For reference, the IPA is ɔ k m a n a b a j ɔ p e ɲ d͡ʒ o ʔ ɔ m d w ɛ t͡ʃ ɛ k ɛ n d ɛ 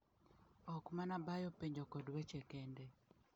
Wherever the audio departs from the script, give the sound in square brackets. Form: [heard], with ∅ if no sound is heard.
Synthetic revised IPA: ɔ k m a n a b a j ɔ p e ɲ d͡ʒ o [k] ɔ [∅] d w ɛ t͡ʃ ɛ k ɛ n d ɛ